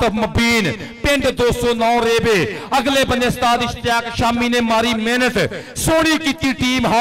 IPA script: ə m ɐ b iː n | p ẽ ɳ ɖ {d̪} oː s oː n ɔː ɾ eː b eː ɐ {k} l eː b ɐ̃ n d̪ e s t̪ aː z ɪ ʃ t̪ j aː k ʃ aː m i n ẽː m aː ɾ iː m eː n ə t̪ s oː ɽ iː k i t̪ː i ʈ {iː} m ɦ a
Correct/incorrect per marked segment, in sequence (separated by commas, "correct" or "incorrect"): correct, incorrect, correct